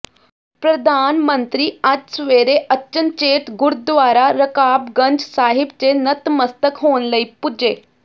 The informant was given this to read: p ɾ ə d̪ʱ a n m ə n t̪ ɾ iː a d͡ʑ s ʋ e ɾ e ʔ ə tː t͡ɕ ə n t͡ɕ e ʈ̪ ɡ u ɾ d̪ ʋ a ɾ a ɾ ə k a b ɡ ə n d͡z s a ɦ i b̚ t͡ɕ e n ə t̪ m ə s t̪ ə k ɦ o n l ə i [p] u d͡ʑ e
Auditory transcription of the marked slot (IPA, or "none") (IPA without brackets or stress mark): p